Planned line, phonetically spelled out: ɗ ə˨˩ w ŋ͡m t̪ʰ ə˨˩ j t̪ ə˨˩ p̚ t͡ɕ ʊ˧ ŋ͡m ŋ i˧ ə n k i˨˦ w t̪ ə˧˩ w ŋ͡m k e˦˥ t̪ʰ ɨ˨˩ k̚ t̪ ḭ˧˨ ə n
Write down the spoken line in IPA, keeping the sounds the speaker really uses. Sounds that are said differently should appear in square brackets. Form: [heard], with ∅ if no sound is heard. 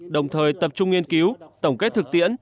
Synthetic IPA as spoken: ɗ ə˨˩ w ŋ͡m t̪ʰ [əː˨˩] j t̪ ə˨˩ p̚ t͡ɕ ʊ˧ ŋ͡m ŋ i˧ ə n k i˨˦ w t̪ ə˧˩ w ŋ͡m k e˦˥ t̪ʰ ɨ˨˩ k̚ t̪ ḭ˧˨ ə n